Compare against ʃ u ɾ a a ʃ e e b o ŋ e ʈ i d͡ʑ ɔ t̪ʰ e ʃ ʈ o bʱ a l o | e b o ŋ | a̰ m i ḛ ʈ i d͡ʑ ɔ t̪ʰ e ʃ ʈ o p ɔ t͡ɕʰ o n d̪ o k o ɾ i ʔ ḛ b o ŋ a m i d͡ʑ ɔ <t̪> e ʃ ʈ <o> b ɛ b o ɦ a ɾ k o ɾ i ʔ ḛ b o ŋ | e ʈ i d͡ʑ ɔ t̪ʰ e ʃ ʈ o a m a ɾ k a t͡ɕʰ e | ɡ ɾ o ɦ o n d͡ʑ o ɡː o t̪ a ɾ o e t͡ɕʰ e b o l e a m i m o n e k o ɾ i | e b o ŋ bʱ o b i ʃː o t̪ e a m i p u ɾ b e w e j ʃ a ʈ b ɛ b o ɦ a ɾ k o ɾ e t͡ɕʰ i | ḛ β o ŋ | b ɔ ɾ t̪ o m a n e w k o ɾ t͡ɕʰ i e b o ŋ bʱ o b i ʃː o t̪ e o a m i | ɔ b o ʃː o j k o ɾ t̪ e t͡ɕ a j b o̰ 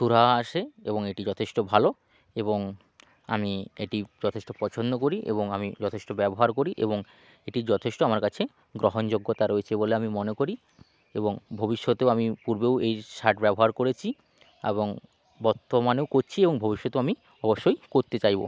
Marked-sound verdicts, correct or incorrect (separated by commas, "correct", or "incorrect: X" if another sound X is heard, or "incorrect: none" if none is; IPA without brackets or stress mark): incorrect: t̪ʰ, correct